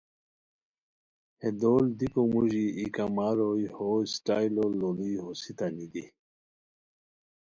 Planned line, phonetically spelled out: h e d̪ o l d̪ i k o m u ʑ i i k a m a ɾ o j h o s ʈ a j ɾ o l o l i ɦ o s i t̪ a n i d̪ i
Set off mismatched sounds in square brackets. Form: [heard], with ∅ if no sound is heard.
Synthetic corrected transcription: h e d̪ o l d̪ i k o m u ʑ i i k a m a ɾ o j h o s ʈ a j [l] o l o l i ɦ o s i t̪ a n i d̪ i